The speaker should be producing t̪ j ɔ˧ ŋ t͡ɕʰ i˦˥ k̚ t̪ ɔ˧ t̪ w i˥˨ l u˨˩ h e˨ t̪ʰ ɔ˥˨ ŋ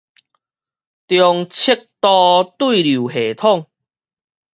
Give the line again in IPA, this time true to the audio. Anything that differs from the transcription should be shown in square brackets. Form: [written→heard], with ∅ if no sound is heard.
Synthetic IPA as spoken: t̪ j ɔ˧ ŋ t͡ɕʰ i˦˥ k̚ t̪ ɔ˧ t̪ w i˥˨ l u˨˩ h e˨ t̪ʰ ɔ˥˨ ŋ